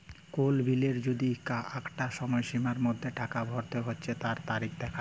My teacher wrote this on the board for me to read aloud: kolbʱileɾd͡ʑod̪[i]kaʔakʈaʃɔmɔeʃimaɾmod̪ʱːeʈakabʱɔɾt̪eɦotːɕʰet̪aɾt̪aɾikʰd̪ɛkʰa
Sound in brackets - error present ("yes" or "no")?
no